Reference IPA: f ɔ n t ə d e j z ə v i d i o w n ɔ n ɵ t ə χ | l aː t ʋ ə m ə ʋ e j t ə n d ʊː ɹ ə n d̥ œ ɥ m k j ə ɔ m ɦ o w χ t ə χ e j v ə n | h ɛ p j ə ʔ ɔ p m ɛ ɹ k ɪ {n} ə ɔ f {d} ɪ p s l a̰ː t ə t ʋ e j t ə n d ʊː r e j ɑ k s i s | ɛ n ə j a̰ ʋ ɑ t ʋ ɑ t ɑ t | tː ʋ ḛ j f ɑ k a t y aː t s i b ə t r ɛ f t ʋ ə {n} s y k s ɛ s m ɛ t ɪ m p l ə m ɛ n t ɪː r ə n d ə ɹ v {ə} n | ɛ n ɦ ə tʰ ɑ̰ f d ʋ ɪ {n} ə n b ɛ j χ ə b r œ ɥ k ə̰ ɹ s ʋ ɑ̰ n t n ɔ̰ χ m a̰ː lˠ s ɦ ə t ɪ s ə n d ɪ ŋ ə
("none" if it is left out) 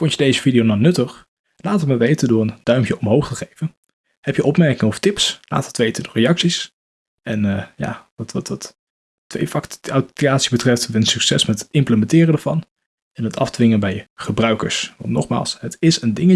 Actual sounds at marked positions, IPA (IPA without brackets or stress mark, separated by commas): ŋ, t, n, ɑ, ŋ